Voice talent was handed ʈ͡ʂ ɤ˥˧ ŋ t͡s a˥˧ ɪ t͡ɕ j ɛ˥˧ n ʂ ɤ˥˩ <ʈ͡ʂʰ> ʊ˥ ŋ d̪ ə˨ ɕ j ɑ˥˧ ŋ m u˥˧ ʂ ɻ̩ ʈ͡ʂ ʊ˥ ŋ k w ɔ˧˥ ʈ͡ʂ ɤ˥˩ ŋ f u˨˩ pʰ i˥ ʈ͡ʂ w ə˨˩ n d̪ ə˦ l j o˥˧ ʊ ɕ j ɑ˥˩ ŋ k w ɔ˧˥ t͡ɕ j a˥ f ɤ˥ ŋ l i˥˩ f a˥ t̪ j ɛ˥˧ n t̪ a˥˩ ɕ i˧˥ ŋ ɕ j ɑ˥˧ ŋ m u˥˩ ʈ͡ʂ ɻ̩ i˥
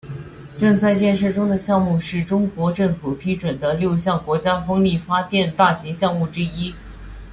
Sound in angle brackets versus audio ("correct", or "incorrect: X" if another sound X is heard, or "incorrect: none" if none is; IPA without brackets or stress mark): incorrect: ʈ͡ʂ